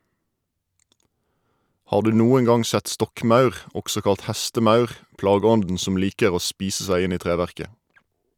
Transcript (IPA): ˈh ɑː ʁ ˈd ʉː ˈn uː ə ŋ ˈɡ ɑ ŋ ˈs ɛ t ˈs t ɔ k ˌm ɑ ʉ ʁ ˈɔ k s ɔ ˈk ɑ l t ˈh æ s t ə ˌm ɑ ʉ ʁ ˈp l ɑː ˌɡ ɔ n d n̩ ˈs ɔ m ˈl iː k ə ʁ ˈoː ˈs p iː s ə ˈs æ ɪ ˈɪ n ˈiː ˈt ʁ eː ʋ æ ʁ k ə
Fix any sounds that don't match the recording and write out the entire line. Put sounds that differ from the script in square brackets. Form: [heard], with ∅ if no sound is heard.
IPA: ˈh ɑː ʁ ˈd ʉː ˈn uː ə ŋ ˈɡ ɑ ŋ ˈs ɛ t ˈs t ɔ k ˌm ɑ ʉ ʁ ˈɔ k s ɔ ˈk ɑ l t ˈh æ s t ə ˌm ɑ ʉ ʁ ˈp l ɑː ˌɡ ɔ n d n̩ ˈs ɔ m ˈl iː k ə ʁ ˈoː ˈs p iː s ə ˈs æ ɪ ˈɪ n ˈiː ˈt ʁ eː ʋ æ ʁ k ə

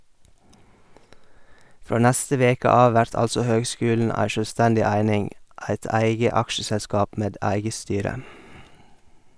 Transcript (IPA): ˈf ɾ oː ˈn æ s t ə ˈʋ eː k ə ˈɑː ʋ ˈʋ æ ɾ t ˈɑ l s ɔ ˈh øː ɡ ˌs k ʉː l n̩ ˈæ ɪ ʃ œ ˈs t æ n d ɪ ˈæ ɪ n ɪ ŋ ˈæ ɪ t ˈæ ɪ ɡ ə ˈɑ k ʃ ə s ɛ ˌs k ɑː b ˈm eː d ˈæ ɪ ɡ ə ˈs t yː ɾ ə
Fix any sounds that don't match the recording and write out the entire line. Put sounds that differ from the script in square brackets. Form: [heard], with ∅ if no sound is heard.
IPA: ˈf ɾ oː ˈn æ s t ə ˈʋ eː k ə ˈɑː ʋ ˈʋ æ ɾ t ˈɑ l s ɔ ˈh øː ɡ ˌs k ʉː l n̩ ˈæ ɪ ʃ œ ˈs t æ n d ɪ ˈæ ɪ n ɪ ŋ ˈæ ɪ t ˈæ ɪ ɡ ə ˈɑ k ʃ ə s ɛ ˌs k ɑː [p] ˈm eː d ˈæ ɪ ɡ ə ˈs t yː ɾ ə

